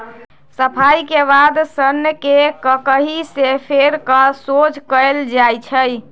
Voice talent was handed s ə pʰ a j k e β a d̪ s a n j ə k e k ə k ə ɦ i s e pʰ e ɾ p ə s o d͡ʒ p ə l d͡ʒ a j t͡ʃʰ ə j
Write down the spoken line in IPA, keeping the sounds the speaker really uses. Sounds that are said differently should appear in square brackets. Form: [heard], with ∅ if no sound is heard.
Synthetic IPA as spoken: s ə pʰ a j k e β a d̪ s [ə] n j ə k e k ə k ə ɦ i s e pʰ e ɾ [k] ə s o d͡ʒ [k] ə l d͡ʒ a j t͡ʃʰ ə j